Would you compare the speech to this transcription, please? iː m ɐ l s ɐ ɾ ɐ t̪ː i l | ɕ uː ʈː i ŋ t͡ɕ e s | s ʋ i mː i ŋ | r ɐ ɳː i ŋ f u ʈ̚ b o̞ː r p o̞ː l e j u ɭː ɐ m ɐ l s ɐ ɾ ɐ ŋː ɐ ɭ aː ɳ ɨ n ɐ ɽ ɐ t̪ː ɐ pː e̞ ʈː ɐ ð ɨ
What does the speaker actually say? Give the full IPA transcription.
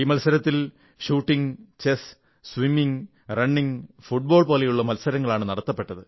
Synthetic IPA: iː m ɐ l s ɐ ɾ ɐ t̪ː i l | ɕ uː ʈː i ŋ t͡ɕ e s | s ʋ i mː i ŋ | r ɐ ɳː i ŋ f u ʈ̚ b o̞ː ɭ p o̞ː l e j u ɭː ɐ m ɐ l s ɐ ɾ ɐ ŋː ɐ ɭ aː ɳ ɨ n ɐ ɽ ɐ t̪ː ɐ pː e̞ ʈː ɐ ð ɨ